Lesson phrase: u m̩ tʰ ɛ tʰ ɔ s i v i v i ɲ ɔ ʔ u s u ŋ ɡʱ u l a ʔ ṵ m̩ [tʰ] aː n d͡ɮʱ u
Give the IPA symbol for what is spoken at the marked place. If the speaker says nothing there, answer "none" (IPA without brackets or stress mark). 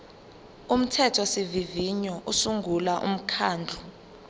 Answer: kʰ